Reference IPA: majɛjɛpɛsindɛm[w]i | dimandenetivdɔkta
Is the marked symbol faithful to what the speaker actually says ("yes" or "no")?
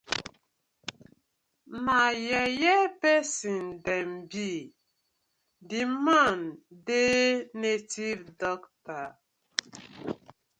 no